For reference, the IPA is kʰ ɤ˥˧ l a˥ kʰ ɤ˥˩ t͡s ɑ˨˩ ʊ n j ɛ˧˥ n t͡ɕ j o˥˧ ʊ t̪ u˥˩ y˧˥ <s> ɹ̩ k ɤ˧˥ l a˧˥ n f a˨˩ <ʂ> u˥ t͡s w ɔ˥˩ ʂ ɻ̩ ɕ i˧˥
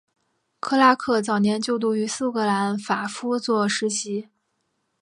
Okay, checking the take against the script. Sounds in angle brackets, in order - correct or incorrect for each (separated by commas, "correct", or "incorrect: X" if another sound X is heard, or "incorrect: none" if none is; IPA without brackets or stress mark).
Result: correct, incorrect: f